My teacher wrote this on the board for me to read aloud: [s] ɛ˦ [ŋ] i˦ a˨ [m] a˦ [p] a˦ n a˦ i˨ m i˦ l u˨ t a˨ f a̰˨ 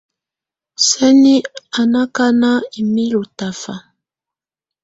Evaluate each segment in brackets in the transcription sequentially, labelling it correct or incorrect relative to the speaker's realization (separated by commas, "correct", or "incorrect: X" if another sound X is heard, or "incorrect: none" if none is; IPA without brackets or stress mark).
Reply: correct, incorrect: n, incorrect: n, incorrect: k